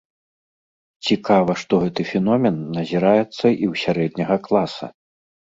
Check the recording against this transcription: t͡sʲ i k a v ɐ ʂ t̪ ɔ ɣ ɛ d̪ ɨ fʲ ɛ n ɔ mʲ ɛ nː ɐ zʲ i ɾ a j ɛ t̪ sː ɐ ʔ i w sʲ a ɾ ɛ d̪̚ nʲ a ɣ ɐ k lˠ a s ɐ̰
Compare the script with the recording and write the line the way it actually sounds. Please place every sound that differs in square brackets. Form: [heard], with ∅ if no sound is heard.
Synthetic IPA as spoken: t͡sʲ i k a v ɐ ʂ t̪ ɔ ɣ ɛ [t̪] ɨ fʲ ɛ n ɔ mʲ ɛ nː ɐ zʲ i ɾ a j ɛ t̪ sː ɐ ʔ i w sʲ a ɾ ɛ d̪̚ nʲ [ɐ] ɣ ɐ k lˠ a s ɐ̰